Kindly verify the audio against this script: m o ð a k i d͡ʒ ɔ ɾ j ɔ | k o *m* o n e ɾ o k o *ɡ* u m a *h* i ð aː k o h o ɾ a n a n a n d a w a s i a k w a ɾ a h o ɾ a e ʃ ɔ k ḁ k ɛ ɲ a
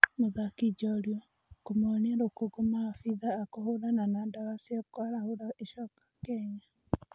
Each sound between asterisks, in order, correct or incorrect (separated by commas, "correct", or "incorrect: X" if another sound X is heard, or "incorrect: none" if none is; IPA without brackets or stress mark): correct, correct, incorrect: f